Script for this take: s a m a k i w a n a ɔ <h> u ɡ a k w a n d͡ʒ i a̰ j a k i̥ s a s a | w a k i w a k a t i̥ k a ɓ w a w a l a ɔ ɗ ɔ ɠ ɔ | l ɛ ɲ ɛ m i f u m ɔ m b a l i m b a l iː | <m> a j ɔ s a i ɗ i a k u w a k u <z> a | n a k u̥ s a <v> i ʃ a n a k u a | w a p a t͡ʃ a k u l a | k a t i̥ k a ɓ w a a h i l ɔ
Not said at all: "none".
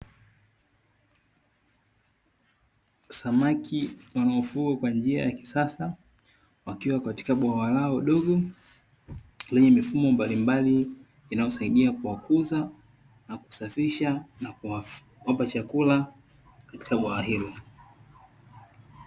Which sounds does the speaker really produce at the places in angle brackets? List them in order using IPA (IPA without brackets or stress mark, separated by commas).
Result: f, n, z, f